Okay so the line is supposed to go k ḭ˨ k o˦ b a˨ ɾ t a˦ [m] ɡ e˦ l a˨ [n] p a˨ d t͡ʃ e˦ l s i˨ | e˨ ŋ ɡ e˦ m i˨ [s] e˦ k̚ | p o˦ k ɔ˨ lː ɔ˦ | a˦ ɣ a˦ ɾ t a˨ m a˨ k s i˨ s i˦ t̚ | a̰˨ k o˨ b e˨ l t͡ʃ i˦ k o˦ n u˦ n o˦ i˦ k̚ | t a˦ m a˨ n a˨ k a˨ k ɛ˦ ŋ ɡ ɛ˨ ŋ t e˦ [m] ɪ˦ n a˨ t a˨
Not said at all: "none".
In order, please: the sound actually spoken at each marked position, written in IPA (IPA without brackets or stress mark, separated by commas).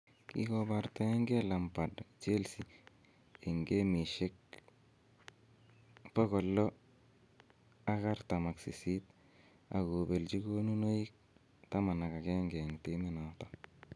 ŋ, m, ʃ, m